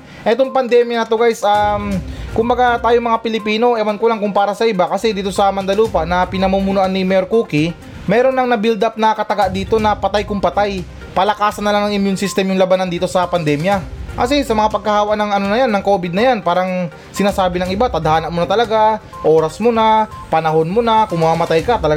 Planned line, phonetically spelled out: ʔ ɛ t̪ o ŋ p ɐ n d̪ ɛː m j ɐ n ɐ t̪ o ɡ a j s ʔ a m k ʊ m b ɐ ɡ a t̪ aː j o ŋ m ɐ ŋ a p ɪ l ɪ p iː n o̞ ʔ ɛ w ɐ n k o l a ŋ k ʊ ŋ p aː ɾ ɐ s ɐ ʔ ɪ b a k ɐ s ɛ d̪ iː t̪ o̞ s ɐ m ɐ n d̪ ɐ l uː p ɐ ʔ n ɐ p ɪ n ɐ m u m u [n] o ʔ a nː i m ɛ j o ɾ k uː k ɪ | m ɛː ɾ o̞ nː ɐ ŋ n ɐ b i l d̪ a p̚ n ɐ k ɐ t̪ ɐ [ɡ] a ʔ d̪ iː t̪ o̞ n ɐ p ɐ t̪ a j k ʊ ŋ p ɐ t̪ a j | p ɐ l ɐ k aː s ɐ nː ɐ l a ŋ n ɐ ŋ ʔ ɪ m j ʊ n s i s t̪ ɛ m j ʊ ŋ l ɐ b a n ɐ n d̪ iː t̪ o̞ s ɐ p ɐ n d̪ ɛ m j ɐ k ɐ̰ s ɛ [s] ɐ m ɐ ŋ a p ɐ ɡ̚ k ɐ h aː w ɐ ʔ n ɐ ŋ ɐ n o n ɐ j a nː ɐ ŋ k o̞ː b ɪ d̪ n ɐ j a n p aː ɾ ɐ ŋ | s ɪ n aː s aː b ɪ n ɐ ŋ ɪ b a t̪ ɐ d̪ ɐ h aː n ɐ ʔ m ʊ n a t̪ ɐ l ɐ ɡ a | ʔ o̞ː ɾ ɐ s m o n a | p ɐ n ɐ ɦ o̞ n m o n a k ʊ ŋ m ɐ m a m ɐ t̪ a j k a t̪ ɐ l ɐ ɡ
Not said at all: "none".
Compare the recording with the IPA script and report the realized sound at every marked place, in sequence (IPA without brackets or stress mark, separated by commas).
n, ɡ, s